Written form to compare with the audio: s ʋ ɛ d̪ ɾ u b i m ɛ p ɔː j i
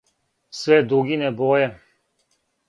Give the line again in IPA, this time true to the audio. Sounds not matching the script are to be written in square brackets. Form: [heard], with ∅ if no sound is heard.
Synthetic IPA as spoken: s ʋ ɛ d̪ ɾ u [ɡ] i [n] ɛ [b] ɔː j [ɛ]